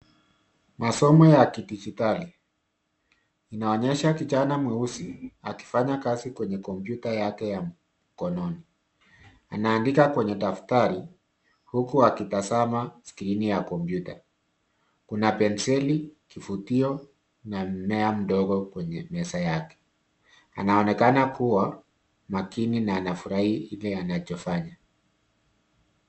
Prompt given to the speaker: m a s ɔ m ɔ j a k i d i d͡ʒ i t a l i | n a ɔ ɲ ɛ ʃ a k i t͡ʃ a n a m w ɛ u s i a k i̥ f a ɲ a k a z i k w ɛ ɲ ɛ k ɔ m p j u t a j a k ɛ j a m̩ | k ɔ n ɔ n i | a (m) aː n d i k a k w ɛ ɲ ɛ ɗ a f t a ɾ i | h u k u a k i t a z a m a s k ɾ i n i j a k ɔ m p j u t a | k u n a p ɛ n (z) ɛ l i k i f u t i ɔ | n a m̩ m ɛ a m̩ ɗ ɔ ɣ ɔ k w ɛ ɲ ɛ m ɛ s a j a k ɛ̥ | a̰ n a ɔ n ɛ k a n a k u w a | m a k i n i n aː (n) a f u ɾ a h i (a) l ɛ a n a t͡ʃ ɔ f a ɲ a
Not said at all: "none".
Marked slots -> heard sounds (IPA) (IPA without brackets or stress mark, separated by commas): n, s, n, i